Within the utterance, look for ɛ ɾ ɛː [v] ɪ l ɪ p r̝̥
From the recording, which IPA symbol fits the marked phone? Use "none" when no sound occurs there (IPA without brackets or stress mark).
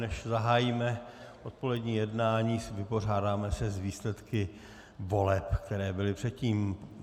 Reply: b